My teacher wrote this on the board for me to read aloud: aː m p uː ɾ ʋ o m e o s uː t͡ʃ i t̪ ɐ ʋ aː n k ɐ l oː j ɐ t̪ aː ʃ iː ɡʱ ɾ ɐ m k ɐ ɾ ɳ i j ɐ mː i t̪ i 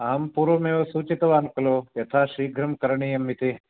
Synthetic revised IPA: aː m p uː ɾ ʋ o m e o s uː t͡ʃ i t̪ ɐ ʋ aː n k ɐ l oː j ɐ t̪ʰ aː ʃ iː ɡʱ ɾ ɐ m k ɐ ɾ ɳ i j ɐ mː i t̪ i